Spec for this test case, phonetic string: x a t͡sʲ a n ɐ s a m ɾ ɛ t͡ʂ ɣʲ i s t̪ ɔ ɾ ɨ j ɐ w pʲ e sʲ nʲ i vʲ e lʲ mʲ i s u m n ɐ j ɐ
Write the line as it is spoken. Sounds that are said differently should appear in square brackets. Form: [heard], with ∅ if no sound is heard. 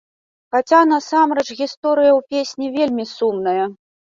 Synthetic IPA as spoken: x a t͡sʲ a n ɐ s a m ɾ ɛ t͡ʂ ɣʲ i s t̪ ɔ ɾ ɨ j ɐ w pʲ e sʲ nʲ i vʲ e lʲ mʲ i s u m n ɐ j ɐ